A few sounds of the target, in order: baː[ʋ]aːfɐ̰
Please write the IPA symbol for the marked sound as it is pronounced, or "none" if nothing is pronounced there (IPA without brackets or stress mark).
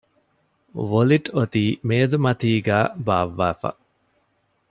ʋː